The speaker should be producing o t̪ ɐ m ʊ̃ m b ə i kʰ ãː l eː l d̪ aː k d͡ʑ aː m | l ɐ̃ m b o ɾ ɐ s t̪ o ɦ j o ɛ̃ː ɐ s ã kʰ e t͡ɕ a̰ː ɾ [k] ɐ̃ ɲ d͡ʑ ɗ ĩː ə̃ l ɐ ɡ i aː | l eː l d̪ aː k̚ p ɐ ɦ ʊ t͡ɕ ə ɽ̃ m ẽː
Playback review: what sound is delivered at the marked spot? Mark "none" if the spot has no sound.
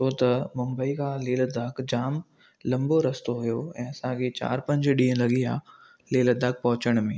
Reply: p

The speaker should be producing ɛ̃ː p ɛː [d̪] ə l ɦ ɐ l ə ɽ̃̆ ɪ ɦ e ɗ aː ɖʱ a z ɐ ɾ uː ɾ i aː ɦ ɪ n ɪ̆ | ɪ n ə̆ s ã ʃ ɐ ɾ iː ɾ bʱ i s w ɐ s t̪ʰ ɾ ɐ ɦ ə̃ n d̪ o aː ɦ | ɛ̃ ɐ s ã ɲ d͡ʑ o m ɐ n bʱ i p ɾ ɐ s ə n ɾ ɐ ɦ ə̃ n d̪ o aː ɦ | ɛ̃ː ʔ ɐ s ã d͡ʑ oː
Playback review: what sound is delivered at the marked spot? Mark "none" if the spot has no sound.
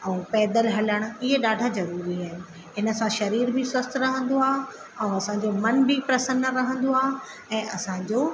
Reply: d̪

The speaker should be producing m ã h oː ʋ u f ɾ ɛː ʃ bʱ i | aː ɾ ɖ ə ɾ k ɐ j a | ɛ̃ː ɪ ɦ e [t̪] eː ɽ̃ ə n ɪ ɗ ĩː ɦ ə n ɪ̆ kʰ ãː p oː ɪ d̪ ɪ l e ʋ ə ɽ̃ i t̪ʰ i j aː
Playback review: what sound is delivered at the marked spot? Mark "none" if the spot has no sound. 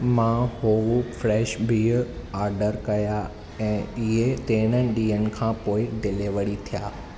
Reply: t̪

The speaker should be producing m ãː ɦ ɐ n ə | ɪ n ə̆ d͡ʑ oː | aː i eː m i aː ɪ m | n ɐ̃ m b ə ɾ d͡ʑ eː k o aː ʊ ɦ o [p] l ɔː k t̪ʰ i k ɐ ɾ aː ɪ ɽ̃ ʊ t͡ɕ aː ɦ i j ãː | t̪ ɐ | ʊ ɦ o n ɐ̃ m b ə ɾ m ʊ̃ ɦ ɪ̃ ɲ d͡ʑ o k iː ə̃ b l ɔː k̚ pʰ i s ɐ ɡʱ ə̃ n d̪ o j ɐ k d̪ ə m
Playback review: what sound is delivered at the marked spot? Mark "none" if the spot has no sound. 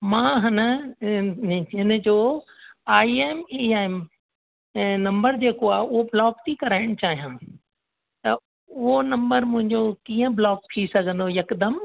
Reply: b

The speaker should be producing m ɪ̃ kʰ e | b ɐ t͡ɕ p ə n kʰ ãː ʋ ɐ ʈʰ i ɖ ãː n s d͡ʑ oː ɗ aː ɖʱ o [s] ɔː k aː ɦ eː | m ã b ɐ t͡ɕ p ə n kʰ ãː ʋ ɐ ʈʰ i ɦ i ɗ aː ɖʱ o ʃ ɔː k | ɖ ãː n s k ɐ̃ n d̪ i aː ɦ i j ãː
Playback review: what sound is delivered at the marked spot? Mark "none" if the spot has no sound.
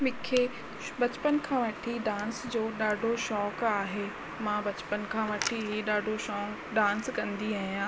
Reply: ʃ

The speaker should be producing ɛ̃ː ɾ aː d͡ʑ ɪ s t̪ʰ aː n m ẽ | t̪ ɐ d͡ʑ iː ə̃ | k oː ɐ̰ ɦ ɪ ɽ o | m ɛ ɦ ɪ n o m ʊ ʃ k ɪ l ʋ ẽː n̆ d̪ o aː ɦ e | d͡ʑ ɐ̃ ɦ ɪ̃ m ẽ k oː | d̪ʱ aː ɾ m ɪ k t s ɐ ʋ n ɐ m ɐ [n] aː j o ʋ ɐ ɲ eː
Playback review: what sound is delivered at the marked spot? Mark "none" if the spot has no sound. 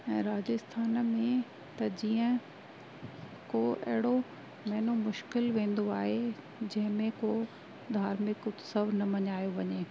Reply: ɲ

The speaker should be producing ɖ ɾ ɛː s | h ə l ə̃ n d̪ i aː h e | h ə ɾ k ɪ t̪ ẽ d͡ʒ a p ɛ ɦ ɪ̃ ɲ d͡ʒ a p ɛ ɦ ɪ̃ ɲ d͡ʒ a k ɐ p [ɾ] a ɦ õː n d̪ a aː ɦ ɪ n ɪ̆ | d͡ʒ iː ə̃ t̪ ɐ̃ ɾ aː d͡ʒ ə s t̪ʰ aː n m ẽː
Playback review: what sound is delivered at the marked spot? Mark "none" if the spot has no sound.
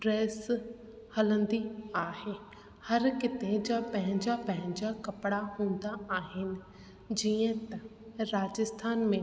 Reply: ɽ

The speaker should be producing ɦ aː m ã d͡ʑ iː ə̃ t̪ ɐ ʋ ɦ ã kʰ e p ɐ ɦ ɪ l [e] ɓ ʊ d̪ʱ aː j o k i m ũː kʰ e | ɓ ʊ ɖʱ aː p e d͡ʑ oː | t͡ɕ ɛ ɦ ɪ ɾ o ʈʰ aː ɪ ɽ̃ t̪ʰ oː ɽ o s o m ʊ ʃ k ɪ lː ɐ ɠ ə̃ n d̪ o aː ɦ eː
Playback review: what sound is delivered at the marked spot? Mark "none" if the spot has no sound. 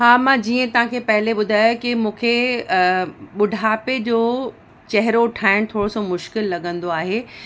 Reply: e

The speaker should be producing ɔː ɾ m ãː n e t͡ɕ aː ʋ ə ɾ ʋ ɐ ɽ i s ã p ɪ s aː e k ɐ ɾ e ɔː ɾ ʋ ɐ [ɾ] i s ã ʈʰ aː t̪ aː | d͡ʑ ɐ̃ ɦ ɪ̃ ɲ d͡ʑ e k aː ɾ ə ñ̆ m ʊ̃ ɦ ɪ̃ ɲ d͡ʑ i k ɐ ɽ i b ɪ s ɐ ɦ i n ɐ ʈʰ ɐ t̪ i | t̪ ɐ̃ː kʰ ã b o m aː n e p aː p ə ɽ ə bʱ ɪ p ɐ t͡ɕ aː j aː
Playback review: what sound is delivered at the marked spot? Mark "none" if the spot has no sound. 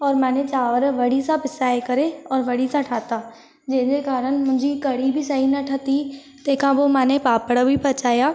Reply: ɽ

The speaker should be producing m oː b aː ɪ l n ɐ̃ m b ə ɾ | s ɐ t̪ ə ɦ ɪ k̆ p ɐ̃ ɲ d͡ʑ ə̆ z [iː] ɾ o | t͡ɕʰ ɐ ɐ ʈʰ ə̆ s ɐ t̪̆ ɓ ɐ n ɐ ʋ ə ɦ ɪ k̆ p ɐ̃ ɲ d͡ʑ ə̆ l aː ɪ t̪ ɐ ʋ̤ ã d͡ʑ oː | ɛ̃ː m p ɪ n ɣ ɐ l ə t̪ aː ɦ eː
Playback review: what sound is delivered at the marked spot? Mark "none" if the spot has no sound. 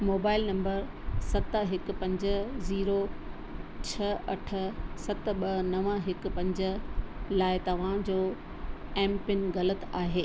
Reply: iː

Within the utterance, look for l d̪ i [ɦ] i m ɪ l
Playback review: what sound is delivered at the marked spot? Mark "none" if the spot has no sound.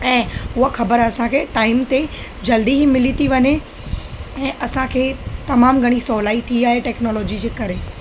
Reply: ɦ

